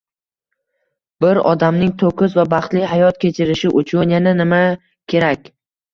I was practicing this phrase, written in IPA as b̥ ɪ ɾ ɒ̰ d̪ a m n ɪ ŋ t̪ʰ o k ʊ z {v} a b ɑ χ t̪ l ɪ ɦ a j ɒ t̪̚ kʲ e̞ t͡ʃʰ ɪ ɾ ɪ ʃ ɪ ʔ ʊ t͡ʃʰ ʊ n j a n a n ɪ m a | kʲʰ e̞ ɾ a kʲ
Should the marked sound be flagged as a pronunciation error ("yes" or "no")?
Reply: no